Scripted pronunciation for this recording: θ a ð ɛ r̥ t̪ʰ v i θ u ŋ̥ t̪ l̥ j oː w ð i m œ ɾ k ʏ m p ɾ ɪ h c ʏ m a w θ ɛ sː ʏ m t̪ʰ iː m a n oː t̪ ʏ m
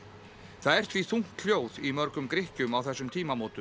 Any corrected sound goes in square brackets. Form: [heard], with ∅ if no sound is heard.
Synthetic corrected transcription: θ a ð ɛ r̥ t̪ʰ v i θ u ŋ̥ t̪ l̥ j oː w ð i m œ ɾ k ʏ m [k] ɾ ɪ h c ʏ m a w θ ɛ sː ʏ m t̪ʰ iː m a [m] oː t̪ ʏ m

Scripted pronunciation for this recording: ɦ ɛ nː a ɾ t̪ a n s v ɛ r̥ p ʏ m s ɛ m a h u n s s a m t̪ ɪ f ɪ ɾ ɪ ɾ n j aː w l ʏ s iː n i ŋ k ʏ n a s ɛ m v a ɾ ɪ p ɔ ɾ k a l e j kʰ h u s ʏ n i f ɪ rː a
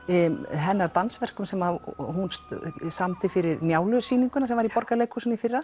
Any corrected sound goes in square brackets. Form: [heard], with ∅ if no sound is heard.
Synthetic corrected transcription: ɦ ɛ nː a ɾ t̪ a n s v ɛ r̥ [k] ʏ m s ɛ m a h u n s s a m t̪ ɪ f ɪ ɾ ɪ ɾ n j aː w l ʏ s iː n i ŋ k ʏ n a s ɛ m v a ɾ [i] p ɔ ɾ k a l e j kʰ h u s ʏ n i f ɪ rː a

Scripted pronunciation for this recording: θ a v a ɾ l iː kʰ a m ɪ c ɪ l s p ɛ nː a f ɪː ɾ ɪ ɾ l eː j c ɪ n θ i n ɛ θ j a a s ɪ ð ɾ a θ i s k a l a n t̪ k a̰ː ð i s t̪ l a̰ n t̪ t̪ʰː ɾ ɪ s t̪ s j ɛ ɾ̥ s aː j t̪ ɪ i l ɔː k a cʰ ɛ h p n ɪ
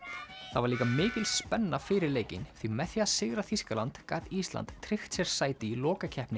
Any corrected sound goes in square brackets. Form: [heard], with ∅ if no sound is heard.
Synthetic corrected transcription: θ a v a ɾ l iː [k] a m [ɪː] c ɪ l s p ɛ nː a f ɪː ɾ ɪ ɾ l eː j c ɪ n θ i [m] ɛ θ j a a s ɪ [ɣ] ɾ a θ i s k a l a n t̪ k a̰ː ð i s t̪ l a̰ n t̪ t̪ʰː ɾ ɪ [x] t̪ s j ɛ ɾ̥ s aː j t̪ ɪ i l ɔː k a cʰ ɛ h p n ɪ

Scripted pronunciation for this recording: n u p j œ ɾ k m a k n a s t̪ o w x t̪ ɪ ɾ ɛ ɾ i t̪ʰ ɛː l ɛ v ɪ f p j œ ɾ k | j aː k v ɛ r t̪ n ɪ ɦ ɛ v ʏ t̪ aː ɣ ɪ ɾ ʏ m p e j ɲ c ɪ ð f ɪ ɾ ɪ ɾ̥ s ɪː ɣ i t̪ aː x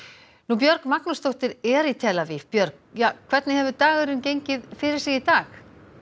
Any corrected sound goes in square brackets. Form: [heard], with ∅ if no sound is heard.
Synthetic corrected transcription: n u p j œ ɾ k m a k n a s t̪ o w [h] t̪ ɪ ɾ ɛ ɾ i t̪ʰ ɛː l [a] v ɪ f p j œ ɾ k | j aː [kʰ] v ɛ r t̪ n ɪ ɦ ɛ v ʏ t̪ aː ɣ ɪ ɾ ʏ m [c] e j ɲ c ɪ ð f ɪ ɾ ɪ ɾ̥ s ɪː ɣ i t̪ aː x

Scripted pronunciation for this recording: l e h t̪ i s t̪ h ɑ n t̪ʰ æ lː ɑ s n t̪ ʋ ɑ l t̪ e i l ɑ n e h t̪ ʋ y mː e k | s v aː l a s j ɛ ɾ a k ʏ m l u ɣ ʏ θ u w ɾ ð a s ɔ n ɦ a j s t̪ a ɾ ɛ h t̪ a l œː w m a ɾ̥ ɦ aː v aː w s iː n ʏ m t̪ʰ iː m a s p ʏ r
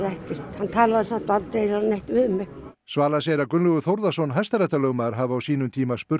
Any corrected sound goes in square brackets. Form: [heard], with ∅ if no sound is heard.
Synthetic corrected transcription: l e h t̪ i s t̪ h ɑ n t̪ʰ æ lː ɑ s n t̪ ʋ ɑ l t̪ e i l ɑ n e h t̪ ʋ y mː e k | s v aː l a s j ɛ ɾ a k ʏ [n] l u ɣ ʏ θ [o] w ɾ ð a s ɔ n ɦ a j s t̪ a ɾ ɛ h t̪ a l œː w m a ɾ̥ ɦ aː v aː w s iː n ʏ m t̪ʰ iː m a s p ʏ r

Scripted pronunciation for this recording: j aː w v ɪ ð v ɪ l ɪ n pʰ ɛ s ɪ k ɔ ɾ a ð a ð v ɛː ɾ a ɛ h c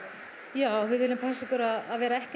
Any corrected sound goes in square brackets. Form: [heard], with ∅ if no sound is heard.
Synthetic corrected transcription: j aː w v ɪ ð v ɪ l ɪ [m] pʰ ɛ s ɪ k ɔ ɾ a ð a ð v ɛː ɾ a ɛ h c

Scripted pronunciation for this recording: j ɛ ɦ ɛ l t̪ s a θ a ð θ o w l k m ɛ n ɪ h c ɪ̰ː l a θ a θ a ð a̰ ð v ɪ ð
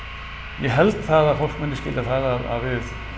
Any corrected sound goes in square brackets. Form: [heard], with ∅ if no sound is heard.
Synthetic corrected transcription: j ɛ ɦ ɛ l t̪ [θ] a [ð] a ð [f] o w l k m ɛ n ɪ [s] c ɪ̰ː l a θ a [ð] a ð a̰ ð v ɪ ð

